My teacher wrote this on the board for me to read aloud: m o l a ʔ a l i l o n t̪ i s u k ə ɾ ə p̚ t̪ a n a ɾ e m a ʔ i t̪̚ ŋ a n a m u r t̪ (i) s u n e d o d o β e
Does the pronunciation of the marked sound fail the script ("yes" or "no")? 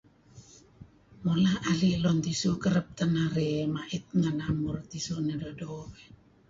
no